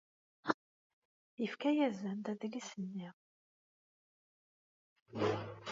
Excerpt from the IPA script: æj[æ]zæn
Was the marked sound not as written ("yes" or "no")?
no